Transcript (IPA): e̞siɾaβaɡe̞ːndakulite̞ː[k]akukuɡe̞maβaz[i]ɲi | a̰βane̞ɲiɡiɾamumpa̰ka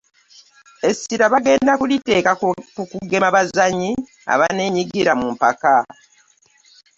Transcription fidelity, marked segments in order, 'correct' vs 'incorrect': correct, incorrect

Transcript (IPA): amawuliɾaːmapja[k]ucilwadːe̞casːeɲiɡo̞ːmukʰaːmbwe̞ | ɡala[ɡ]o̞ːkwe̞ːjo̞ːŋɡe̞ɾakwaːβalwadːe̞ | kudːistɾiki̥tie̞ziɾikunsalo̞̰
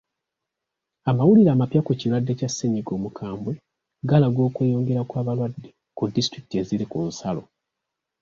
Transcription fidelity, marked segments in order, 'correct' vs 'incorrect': correct, correct

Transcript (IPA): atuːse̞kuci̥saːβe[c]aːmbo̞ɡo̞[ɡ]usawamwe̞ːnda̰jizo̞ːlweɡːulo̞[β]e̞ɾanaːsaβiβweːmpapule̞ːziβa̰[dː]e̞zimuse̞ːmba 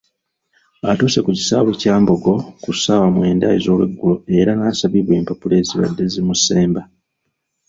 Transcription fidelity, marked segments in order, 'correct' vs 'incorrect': correct, incorrect, incorrect, correct

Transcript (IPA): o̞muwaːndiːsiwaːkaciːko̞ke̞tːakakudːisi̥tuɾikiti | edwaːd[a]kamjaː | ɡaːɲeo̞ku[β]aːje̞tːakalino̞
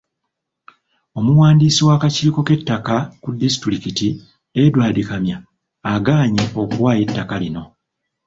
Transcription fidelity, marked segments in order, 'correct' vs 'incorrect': incorrect, incorrect

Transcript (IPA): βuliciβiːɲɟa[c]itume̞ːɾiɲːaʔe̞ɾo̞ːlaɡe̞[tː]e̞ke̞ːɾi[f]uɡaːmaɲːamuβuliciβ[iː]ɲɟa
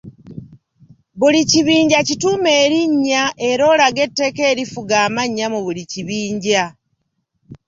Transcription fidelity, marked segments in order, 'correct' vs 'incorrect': correct, correct, correct, correct

